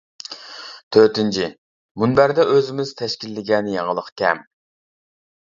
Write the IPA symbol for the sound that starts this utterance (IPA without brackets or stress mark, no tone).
t̪ʰ